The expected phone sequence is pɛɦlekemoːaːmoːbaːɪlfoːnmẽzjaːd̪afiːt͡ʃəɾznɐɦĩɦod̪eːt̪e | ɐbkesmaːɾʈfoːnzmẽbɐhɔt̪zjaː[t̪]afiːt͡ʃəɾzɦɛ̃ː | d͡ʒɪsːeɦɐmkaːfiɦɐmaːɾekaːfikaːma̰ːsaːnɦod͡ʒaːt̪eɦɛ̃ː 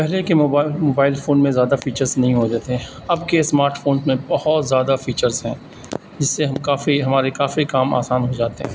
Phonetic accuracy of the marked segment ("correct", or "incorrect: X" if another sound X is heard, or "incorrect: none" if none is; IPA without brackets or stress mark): incorrect: d̪